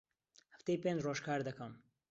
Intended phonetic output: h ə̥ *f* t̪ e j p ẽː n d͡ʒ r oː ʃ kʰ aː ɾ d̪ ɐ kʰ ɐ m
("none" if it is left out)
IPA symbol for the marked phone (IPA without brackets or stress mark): f